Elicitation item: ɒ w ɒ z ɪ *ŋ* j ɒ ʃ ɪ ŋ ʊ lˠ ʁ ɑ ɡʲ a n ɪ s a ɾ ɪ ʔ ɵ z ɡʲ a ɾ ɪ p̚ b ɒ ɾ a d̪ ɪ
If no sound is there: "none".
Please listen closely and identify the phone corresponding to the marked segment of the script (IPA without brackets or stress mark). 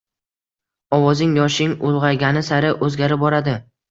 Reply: ŋ